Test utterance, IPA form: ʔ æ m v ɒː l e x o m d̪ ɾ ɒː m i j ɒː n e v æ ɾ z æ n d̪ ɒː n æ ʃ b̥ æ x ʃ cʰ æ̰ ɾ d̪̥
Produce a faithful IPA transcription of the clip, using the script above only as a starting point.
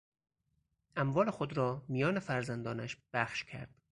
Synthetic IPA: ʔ æ m v ɒː l e x o d̪ ɾ ɒː m i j ɒː n e f æ ɾ z æ n d̪ ɒː n æ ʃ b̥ æ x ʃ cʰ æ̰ ɾ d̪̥

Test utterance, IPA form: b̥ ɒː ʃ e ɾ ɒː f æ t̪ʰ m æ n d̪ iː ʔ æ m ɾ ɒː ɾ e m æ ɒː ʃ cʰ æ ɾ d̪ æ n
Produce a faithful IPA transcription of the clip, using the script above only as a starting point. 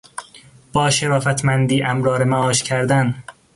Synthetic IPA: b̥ ɒː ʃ e ɾ ɒː f æ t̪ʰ m æ n d̪ iː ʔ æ m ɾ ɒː ɾ e m æ ɒː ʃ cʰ æ ɾ d̪ æ n

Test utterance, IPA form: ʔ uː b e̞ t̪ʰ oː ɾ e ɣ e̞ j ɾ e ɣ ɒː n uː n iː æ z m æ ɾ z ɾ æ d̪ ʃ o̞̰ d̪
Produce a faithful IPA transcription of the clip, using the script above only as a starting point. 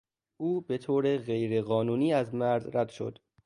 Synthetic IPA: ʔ uː b e̞ t̪ʰ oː ɾ e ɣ e̞ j ɾ e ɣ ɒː n uː n iː æ z m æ ɾ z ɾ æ d̪ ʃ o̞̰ d̪

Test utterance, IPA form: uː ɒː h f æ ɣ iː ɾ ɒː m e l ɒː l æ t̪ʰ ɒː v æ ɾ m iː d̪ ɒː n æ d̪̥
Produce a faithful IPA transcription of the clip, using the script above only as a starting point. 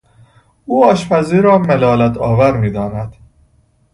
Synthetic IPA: uː ɒː ʃ f æ z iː ɾ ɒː m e l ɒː l æ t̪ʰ ɒː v æ ɾ m iː d̪ ɒː n æ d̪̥

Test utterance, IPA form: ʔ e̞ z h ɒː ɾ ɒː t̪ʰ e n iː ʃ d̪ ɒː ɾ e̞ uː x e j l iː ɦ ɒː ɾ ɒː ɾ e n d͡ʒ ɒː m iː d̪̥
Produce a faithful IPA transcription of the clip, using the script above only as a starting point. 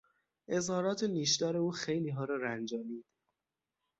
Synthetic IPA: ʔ e̞ z h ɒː ɾ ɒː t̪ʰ e n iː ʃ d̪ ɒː ɾ e̞ uː x e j l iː ɦ ɒː ɾ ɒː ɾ æ n d͡ʒ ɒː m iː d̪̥

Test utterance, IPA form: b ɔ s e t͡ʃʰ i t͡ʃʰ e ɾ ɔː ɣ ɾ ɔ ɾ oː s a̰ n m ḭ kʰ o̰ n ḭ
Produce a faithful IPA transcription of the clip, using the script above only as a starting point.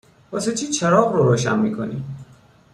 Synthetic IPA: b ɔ s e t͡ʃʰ i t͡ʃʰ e ɾ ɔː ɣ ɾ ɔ ɾ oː ʃ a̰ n m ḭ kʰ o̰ n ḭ

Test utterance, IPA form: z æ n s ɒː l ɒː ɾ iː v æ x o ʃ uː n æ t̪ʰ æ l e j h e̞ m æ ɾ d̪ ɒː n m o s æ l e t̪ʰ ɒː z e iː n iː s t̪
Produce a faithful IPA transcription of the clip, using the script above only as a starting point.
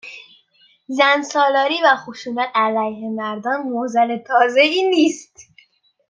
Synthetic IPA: z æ n s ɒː l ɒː ɾ iː v æ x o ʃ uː n æ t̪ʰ æ l æ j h e̞ m æ ɾ d̪ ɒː n m o z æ l e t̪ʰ ɒː z e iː n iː s t̪

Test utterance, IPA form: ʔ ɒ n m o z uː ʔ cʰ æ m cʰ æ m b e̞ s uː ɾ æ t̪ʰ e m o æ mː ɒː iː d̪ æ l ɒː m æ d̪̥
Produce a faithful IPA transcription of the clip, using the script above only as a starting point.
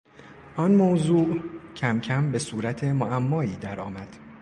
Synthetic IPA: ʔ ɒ n m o z uː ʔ cʰ æ m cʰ æ m b e̞ s uː ɾ æ t̪ʰ e m o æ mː ɒː iː d̪ æ ɾ ɒː m æ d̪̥

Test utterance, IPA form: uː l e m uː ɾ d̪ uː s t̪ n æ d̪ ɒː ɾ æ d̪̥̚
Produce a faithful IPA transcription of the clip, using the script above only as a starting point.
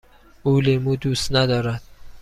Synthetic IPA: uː l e m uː d̪ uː s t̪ n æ d̪ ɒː ɾ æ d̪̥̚

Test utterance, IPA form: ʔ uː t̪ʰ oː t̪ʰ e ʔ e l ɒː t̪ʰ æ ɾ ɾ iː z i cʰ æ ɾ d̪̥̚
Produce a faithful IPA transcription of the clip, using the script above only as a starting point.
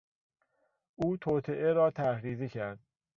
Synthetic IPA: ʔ uː t̪ʰ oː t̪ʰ e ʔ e ɾ ɒː t̪ʰ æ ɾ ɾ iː z i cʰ æ ɾ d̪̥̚

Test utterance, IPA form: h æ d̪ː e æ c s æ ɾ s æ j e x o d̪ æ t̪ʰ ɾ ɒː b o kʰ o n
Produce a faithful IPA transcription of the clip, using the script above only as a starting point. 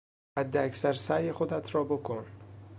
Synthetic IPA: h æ d̪ː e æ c s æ ɾ s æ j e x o d̪ æ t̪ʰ ɾ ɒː b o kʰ o n

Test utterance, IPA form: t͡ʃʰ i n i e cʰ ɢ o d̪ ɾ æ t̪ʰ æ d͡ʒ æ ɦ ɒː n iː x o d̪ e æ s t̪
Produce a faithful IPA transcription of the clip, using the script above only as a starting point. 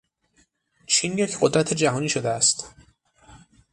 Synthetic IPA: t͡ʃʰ i n j e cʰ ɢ o d̪ ɾ æ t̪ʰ e d͡ʒ æ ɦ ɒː n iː ʃ o d̪ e æ s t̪

